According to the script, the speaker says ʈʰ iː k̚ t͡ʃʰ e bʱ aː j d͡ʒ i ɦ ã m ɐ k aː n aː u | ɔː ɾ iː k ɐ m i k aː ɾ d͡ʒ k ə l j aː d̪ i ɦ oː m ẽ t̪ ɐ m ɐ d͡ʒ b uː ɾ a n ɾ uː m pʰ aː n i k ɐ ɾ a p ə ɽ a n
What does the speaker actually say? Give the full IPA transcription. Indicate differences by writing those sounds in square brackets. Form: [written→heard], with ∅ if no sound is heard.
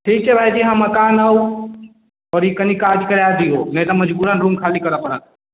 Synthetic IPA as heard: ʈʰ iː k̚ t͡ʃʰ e bʱ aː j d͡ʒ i ɦ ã m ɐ k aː n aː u | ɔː ɾ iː k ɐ [m→n] i k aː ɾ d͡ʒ k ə [l→ɾ] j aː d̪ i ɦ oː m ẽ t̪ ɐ m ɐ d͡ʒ b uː ɾ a n ɾ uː m [pʰ→kʰ] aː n i k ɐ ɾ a p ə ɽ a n